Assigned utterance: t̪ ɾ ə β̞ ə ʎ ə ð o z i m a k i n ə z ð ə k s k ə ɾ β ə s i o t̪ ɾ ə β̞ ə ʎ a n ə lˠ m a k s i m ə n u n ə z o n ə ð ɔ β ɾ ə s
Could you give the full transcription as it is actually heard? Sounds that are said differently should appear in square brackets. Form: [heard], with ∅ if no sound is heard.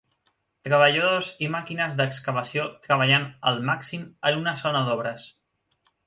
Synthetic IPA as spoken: t̪ ɾ ə β̞ ə ʎ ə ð o z i m a k i n ə z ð ə k s k ə [∅] β ə s i o t̪ ɾ ə β̞ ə ʎ a n ə lˠ m a k s i m ə n u n ə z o n ə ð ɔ β ɾ ə s